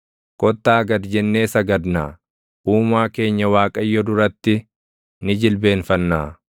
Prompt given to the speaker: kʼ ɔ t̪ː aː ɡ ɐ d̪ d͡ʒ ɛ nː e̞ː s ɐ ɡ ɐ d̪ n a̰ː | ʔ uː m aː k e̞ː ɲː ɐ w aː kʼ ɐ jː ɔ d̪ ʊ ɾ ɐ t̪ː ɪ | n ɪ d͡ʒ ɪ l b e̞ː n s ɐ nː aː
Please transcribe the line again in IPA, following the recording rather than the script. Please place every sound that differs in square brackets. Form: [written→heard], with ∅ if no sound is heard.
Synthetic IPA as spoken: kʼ ɔ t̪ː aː ɡ ɐ d̪ d͡ʒ ɛ nː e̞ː s ɐ ɡ ɐ d̪ n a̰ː | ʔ uː m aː k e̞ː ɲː ɐ w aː kʼ ɐ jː ɔ d̪ ʊ ɾ ɐ t̪ː ɪ | n ɪ d͡ʒ ɪ l b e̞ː n [s→f] ɐ nː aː